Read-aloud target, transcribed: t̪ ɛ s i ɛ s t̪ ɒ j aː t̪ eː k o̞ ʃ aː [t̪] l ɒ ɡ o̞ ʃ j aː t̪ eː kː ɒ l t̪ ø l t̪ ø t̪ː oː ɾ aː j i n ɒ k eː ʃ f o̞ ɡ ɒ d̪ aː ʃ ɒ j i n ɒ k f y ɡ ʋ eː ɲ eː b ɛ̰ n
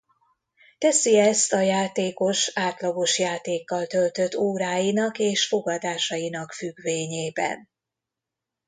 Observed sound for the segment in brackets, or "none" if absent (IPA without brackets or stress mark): t̪